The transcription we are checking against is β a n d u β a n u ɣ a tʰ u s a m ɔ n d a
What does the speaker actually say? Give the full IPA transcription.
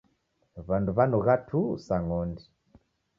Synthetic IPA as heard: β a n d u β a n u ɣ a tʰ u s a ŋ ɔ n d i